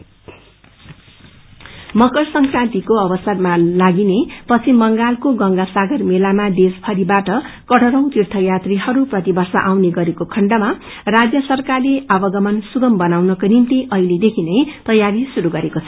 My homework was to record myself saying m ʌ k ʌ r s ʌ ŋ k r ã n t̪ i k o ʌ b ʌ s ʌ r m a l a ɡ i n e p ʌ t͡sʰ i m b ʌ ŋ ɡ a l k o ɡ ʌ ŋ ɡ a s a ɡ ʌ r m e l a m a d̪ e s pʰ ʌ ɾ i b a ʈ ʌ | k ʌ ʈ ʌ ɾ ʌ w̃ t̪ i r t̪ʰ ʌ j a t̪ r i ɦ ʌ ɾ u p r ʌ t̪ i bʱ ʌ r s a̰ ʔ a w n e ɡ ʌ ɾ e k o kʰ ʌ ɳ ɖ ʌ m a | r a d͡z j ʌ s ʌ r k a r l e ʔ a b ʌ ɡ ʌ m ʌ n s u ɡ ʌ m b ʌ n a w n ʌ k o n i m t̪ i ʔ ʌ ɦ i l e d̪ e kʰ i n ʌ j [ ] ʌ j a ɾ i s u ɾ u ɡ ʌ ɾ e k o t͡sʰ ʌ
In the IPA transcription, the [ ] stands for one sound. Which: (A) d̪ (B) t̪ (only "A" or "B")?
B